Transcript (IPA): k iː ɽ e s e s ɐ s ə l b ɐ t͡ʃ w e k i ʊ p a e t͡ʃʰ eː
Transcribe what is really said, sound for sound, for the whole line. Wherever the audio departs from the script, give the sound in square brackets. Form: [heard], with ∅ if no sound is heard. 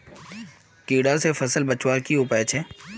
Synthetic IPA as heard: k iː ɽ [a] s e [f] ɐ s ə l b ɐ t͡ʃ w [a] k i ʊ p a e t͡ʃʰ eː